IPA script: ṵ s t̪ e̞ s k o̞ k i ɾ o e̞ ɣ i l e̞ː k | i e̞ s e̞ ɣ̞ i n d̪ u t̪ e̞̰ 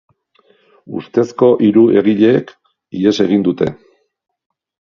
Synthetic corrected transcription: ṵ s t̪ e̞ s k o̞ ʔ i ɾ u e̞ ɣ i ʎ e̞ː k | i e̞ s e̞ ɣ̞ i n d̪ u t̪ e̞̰